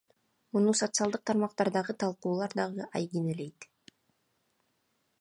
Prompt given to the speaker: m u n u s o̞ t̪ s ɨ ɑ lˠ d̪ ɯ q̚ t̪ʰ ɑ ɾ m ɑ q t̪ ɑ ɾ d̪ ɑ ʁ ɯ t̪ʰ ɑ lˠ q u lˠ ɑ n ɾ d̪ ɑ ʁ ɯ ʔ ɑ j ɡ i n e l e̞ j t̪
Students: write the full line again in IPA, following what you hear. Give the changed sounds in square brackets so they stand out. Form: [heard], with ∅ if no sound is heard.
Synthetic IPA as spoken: m u n u s o̞ t̪ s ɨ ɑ lˠ d̪ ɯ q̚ t̪ʰ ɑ ɾ m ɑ q t̪ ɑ ɾ d̪ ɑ ʁ ɯ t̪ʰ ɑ lˠ q [uː] lˠ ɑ [∅] ɾ d̪ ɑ ʁ ɯ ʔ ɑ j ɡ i n e l e̞ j t̪